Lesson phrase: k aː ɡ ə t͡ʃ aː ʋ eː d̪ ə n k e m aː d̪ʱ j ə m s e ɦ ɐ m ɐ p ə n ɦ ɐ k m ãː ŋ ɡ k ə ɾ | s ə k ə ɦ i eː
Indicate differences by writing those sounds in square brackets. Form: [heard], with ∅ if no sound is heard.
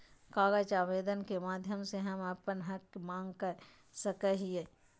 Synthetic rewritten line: k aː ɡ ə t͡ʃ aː ʋ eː d̪ ə n k e m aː d̪ʱ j ə m s e ɦ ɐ m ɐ p ə n ɦ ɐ k m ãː ŋ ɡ k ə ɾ | s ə k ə ɦ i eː